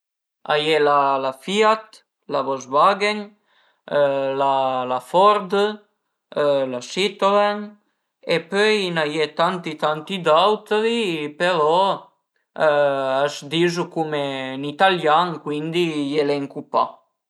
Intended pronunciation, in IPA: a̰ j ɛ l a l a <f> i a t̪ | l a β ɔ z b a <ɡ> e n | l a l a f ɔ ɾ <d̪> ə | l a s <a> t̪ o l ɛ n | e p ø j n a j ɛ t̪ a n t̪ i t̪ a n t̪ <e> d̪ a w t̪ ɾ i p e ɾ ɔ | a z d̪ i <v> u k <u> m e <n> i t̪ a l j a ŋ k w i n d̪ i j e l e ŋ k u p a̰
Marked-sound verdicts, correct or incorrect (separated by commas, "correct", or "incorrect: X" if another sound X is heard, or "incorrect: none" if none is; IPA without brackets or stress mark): correct, correct, correct, incorrect: i, incorrect: i, incorrect: z, correct, correct